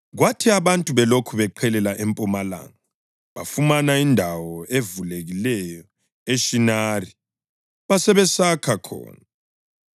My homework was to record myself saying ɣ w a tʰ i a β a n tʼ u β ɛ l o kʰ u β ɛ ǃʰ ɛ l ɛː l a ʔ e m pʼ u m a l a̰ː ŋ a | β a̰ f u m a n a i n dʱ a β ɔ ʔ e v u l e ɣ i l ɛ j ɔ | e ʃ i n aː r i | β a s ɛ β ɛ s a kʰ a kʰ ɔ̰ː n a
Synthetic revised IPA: ɣ w a tʰ i a β a n tʼ u β ɛ l o kʰ u β ɛ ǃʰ ɛ l ɛ l a ʔ e m pʼ u m a l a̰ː ŋ a | β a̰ f u m a n a i n dʱ a w ɔ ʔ e v u l e ɣ i l ɛ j ɔ | e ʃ i n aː r i | β a s ɛ β ɛ s a kʰ a kʰ ɔ̰ː n a

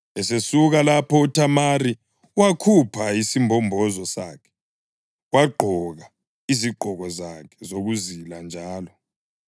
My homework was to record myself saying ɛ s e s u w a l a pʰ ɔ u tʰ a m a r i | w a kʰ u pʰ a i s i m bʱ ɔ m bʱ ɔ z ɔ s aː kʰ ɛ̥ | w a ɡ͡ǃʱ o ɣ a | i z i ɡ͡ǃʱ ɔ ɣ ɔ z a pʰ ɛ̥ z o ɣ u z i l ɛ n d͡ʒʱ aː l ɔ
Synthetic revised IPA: ɛ s e s u ɣ a l a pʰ ɔ u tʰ a m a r i | w a kʰ u pʰ a i s i m bʱ ɔ m bʱ ɔ z ɔ s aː kʰ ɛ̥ | w a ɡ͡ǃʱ ɔ ɣ a | i z i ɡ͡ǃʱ ɔ ɣ ɔ z a kʰ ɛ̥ z o ɣ u z i l a n d͡ʒʱ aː l ɔ

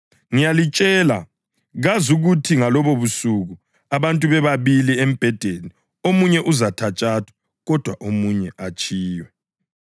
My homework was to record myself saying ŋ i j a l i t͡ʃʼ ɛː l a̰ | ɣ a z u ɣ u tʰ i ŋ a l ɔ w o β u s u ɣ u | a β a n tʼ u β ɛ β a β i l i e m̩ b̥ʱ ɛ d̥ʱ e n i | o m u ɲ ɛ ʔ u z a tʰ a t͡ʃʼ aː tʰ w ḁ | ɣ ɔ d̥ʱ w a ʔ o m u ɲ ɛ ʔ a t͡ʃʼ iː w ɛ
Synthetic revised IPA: ŋ i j a l i t͡ʃʼ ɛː l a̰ | ɣ a z u ɣ u tʰ i ŋ a l ɔ β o β u s u ɣ u | a β a n tʼ u β ɛ β a β i l i e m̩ b̥ʱ ɛ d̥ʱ e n i | o m u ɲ ɛ ʔ u z a tʰ a t͡ʃʼ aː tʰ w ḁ | ɣ ɔ d̥ʱ w a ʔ o m u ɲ ɛ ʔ a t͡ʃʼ iː w ɛ

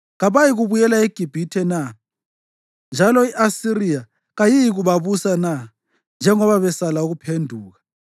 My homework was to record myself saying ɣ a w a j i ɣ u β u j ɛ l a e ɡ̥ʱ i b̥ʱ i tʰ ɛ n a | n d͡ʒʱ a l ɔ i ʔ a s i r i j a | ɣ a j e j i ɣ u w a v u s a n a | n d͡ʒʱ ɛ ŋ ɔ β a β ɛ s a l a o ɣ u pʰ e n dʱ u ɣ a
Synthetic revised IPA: ɣ a β a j i ɣ u β u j ɛ l a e ɡ̥ʱ i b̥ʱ i tʰ ɛ n a | n d͡ʒʱ a l ɔ i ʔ a s i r i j a | ɣ a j i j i ɣ u β a β u s a n a | n d͡ʒʱ ɛ ŋ ɔ β a β ɛ s a l a u ɣ u pʰ e n dʱ uː ɣ a

